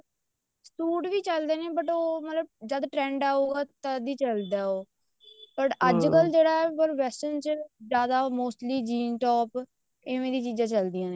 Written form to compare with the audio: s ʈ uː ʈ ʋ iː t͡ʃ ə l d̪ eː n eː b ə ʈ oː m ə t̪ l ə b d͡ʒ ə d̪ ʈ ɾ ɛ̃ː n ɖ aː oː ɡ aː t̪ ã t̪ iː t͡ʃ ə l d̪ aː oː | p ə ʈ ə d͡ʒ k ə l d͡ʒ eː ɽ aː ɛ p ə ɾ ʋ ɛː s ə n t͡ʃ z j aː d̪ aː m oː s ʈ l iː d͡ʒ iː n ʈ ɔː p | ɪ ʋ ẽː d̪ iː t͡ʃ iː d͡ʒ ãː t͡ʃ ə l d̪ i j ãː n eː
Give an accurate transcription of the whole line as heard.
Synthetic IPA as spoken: s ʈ uː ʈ ʋ iː t͡ʃ ə l d̪ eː n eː b ə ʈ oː m ə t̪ l ə b d͡ʒ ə d̪ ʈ ɾ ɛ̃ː ɳ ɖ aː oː ɡ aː t̪ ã d̪ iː t͡ʃ ə l d̪ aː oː | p ə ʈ ə d͡ʒ k ə l d͡ʒ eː ɽ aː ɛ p ə ɾ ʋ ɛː s ə n t͡ʃ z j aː d̪ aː m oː s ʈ l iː d͡ʒ iː n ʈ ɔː p | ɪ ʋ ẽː d̪ iː t͡ʃ iː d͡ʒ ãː t͡ʃ ə l d̪ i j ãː n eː